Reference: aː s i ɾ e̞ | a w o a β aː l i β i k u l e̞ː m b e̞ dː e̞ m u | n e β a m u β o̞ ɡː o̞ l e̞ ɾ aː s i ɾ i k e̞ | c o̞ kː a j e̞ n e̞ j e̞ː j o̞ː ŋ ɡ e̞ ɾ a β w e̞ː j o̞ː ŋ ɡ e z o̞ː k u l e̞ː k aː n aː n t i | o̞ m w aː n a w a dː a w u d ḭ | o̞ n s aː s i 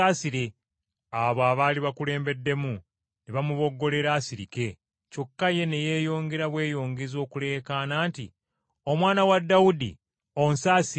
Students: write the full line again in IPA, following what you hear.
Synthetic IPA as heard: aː s i ɾ e̞ | a β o a β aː l i β a k u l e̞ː m b e̞ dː e̞ m u | n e β a m u β o̞ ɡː o̞ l e̞ ɾ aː s i ɾ i k e̞ | c o̞ kː a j e̞ n e̞ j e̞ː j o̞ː ŋ ɡ e̞ ɾ a β w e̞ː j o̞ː ŋ ɡ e z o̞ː k u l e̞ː k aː n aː n t i | o̞ m w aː n a w a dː a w u d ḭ | o̞ n s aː s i